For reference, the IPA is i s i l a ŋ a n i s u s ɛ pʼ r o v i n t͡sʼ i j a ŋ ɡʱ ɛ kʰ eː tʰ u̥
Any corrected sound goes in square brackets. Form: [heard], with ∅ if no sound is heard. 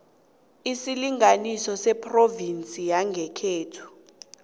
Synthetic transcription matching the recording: i s i l [i] ŋ a n i s [ɔ] s ɛ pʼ r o v i n t͡sʼ i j a ŋ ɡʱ ɛ kʰ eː tʰ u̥

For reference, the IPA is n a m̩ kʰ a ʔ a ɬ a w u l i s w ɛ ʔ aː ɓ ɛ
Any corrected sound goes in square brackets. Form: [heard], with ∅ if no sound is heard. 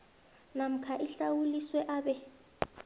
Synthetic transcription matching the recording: n a m̩ kʰ a ʔ [i] ɬ a w u l i s w ɛ ʔ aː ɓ ɛ

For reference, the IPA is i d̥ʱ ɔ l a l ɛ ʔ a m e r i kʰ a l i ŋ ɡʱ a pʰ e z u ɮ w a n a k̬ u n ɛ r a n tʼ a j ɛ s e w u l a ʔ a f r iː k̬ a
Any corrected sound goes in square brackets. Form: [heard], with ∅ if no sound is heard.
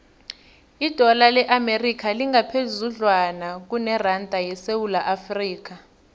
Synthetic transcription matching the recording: i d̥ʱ ɔ l a l ɛ ʔ a m e r i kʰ a l i ŋ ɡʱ a pʰ e z u ɮ w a n a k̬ u n ɛ r a n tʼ a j ɛ s e w u l a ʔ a f r iː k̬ a

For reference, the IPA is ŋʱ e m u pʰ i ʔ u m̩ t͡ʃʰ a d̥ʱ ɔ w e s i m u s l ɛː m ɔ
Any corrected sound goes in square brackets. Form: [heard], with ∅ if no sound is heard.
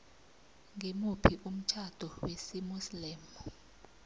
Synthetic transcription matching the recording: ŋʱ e m u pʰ i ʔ u m̩ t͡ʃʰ a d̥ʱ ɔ w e s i m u s l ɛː m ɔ

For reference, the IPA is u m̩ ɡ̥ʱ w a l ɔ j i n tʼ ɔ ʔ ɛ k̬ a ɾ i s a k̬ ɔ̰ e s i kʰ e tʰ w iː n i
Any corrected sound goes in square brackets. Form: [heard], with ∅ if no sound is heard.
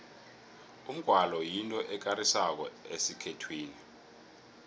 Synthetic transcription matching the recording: u m̩ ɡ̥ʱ w a l ɔ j i n tʼ ɔ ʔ ɛ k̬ a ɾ i s a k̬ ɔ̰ e s i kʰ e tʰ w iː n i

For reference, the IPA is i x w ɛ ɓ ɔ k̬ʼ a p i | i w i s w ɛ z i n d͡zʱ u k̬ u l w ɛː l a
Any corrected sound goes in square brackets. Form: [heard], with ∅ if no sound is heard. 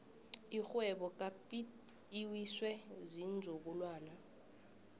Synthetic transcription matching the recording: i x w ɛ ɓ ɔ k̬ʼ a p i | i w i s w ɛ z i n d͡zʱ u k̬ u l w [aː] l a

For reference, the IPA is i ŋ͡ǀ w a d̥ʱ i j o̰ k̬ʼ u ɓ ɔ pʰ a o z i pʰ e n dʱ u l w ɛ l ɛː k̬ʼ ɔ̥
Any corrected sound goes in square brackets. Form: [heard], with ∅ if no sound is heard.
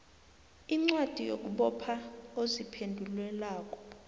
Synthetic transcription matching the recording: i ŋ͡ǀ w a d̥ʱ i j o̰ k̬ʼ u ɓ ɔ pʰ a o z i pʰ e n dʱ u l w ɛ l [aː] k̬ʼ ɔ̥

